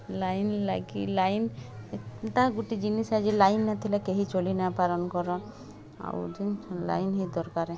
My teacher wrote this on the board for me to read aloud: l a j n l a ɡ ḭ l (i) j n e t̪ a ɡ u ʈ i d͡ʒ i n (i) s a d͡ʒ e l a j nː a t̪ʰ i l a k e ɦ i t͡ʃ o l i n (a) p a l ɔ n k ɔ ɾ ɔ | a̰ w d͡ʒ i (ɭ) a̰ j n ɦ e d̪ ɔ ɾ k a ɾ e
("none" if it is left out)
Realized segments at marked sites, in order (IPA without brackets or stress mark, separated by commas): a, i, a, l